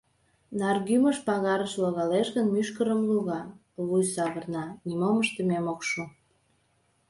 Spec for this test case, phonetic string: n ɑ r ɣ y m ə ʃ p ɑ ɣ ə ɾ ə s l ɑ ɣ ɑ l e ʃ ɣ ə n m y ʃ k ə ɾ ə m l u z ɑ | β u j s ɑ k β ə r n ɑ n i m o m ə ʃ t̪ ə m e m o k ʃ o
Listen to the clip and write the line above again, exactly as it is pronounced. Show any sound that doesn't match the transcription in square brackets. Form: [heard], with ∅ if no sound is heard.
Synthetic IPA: n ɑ r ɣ y m ə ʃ p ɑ ɣ [ɑ] ɾ ə [ʃ] l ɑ ɣ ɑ l e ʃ ɣ ə n m y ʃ k ə ɾ ə m l u [ɣ] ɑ | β u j s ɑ [∅] β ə r n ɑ n i m o m ə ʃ t̪ ə m e m o k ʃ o